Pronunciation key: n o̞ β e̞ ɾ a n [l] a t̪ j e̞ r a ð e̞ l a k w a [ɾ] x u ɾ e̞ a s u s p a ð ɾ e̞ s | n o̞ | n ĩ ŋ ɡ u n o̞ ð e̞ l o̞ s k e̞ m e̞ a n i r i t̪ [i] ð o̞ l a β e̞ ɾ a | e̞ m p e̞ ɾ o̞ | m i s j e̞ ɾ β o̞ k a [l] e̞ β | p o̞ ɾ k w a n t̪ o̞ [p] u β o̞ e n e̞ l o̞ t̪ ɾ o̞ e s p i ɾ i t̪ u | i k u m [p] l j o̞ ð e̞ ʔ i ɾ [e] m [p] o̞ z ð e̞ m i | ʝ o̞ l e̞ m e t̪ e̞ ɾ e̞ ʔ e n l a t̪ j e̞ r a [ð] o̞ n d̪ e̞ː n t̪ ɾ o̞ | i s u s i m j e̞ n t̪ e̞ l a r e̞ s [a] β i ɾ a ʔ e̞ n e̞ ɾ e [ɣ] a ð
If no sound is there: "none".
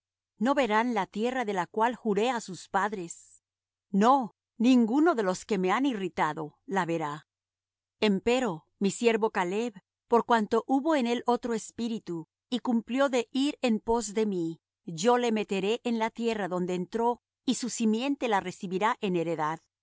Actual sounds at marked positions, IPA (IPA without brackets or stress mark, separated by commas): l, l, a, l, ʔ, p, e, p, ð, i, ð